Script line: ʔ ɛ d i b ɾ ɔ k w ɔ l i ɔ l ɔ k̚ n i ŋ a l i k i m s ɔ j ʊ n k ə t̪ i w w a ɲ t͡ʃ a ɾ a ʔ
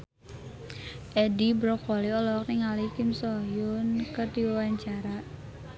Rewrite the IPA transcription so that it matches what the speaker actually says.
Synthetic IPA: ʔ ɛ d i b ɾ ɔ k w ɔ l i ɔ l ɔ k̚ n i ŋ a l i k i m s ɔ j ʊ n k ə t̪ i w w a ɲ t͡ʃ a ɾ a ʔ